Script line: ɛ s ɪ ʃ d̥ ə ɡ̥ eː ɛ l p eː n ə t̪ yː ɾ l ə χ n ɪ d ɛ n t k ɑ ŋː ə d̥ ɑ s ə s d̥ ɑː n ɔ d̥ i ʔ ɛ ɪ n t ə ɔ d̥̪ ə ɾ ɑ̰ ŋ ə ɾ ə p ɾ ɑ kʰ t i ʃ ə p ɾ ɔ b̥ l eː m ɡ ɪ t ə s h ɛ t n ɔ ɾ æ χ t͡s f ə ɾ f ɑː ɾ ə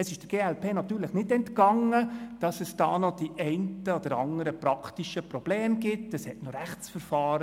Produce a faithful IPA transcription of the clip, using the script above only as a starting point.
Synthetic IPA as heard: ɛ s ɪ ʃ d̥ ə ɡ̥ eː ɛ l p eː n ɑ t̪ yː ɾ l ə χ n ɪ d ɛ n t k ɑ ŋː ə d̥ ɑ s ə s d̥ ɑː n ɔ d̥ i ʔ ɛ ɪ n t ə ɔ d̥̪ ə ɾ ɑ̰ ŋ ə ɾ ə p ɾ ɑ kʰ t i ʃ ə p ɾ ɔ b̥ l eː m ɡ ɪ t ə s h ɛ t n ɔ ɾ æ χ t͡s f ə ɾ f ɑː ɾ ə